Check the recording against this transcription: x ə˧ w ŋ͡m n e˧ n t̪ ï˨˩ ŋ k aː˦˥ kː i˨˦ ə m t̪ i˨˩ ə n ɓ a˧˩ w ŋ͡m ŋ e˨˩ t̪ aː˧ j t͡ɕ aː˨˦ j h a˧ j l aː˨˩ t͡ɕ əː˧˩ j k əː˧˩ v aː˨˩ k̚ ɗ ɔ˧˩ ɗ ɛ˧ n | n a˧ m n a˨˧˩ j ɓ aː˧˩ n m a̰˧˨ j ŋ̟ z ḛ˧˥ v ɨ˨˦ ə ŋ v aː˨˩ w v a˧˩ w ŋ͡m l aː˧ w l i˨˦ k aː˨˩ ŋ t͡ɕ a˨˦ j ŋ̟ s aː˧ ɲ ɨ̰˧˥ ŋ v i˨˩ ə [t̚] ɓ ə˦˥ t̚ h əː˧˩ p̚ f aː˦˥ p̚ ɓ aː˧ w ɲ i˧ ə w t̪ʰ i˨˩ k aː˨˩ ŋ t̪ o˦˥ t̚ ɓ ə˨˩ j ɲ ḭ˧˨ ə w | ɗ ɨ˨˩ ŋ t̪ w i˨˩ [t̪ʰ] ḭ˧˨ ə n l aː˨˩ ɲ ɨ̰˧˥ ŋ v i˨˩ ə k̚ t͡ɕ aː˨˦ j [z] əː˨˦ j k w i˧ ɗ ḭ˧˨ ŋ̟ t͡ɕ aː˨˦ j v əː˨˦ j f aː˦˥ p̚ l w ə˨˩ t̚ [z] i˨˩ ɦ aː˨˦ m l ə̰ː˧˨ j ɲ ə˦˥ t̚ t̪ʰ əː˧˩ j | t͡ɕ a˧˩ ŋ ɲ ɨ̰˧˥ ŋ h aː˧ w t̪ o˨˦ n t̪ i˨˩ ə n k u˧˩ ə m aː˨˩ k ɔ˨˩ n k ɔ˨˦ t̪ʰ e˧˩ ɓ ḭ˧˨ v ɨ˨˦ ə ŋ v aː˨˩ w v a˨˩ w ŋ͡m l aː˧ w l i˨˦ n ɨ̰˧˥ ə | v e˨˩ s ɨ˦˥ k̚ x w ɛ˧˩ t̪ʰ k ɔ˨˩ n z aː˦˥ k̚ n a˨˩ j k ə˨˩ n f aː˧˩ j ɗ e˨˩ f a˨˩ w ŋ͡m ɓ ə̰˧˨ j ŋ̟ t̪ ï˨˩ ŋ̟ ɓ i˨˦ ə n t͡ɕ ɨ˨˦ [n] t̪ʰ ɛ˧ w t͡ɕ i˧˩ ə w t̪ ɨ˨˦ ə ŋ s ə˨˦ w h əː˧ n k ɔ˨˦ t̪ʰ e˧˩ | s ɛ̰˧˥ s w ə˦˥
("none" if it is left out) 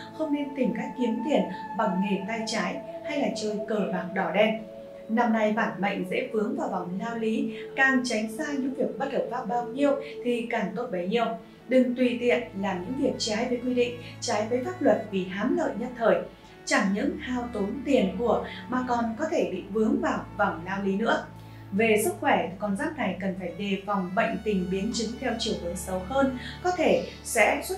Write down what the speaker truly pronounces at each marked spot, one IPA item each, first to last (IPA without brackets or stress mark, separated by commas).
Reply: k̚, t̪, v, v, ŋ